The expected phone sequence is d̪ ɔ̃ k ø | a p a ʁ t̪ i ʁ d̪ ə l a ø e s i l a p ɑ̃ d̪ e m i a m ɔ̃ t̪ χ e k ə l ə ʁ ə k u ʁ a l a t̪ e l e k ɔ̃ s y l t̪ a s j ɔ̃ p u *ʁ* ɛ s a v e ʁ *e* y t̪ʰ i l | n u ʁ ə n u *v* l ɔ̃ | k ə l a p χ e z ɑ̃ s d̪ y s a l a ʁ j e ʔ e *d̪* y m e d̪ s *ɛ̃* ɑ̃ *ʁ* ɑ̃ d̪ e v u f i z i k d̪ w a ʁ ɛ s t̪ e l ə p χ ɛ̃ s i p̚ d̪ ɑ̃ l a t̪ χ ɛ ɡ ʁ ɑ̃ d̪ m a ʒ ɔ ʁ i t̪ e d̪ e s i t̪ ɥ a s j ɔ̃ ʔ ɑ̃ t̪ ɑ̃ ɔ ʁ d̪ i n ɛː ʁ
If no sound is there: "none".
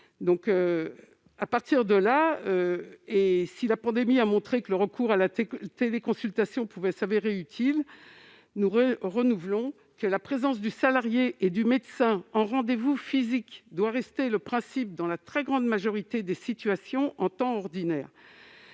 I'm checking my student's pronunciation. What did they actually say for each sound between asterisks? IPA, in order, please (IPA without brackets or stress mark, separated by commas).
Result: v, e, v, d̪, ɛ̃, ʁ